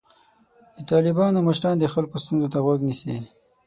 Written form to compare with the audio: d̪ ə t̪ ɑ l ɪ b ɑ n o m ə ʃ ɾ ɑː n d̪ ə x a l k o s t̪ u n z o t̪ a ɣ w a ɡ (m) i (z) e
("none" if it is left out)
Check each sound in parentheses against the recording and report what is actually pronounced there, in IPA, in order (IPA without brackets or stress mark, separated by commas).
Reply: n, s